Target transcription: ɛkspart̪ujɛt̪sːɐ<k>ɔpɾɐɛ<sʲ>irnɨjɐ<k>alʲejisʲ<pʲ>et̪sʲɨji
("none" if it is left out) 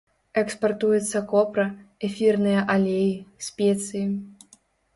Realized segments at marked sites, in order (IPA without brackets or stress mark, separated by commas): k, fʲ, ʔ, pʲ